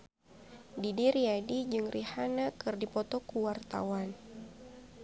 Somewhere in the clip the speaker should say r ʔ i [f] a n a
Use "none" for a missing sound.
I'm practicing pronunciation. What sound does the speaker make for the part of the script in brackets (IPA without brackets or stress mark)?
h